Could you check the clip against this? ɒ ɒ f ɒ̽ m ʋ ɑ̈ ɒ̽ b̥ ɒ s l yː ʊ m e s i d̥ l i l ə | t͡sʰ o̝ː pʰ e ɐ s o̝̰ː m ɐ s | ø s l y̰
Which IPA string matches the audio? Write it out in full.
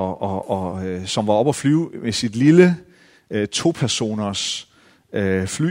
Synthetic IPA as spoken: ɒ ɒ s ɒ̽ m ʋ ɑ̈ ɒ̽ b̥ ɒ f l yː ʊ m e s i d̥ l i l ə | t͡sʰ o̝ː pʰ æ ɐ s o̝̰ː n ɐ s | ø f l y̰